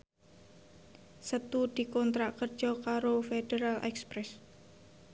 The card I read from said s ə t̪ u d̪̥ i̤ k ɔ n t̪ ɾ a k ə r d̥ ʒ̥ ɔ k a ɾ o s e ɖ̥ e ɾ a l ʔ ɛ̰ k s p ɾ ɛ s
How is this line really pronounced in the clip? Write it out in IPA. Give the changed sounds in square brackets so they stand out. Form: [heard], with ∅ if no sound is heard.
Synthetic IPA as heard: s ə t̪ u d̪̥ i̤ k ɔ n t̪ ɾ a k ə r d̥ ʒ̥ ɔ k a ɾ o [f] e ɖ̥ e ɾ a l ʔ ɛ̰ k s p ɾ ɛ s